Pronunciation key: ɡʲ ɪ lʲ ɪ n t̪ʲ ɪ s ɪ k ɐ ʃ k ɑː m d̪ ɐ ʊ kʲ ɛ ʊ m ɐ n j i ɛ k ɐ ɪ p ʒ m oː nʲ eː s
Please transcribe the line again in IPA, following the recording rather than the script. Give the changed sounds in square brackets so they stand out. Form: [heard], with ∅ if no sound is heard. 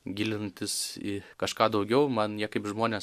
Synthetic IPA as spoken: ɡʲ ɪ lʲ ɪ n t̪ʲ ɪ s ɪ k ɐ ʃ k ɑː [∅] d̪ ɐ ʊ [ɡʲ] ɛ ʊ m ɐ n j i ɛ k ɐ ɪ p ʒ m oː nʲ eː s